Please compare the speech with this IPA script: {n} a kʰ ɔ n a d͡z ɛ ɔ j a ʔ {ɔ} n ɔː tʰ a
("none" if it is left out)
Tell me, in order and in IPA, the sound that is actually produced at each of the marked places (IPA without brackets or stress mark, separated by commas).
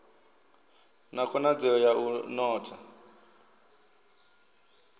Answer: n, u